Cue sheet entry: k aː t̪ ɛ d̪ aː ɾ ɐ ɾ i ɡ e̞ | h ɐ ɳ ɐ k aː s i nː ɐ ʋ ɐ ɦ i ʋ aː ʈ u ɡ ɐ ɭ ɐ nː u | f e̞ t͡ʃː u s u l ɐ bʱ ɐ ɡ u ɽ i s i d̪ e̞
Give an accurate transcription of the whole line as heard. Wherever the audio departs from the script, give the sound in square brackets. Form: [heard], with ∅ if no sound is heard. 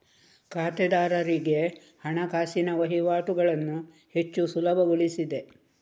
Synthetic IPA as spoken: k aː t̪ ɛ d̪ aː ɾ ɐ ɾ i ɡ e̞ | h ɐ ɳ ɐ k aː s i [n] ɐ ʋ ɐ ɦ i ʋ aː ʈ u ɡ ɐ ɭ ɐ nː u | [h] e̞ t͡ʃː u s u l ɐ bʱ ɐ ɡ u [ɭ] i s i d̪ e̞